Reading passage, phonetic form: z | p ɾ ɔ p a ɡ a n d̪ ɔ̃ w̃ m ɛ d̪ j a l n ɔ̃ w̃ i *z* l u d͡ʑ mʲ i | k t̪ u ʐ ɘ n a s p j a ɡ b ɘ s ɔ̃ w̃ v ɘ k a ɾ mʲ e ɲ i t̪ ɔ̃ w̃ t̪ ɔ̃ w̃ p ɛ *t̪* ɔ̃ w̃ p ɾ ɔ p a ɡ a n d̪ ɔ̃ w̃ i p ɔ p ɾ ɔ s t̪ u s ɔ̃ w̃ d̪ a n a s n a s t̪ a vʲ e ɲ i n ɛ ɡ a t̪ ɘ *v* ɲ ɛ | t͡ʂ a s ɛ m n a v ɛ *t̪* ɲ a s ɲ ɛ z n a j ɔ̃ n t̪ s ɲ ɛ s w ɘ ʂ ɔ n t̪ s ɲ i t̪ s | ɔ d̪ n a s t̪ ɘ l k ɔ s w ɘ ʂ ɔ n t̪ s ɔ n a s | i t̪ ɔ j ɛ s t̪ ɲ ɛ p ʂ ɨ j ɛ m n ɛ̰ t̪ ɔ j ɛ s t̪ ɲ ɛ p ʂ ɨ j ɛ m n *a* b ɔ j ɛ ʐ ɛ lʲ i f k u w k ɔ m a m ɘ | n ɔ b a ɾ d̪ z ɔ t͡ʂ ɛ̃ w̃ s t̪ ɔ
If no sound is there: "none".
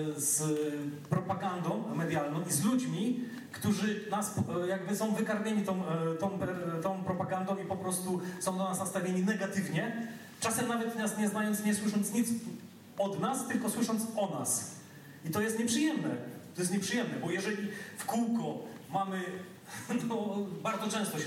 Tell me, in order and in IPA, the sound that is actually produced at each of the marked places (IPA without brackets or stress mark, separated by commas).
z, t̪, v, t̪, ɛ